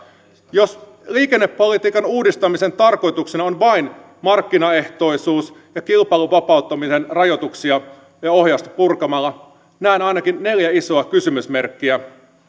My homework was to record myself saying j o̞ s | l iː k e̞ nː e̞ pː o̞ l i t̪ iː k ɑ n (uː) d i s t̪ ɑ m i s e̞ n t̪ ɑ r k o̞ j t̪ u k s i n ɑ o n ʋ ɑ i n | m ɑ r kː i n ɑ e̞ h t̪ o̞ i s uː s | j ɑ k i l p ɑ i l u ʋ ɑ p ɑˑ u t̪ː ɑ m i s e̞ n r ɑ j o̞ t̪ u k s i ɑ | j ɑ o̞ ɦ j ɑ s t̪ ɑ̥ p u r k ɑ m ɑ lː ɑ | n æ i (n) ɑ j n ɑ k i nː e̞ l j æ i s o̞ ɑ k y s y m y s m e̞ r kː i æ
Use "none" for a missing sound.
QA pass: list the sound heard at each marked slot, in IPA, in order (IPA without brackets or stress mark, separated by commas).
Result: uː, n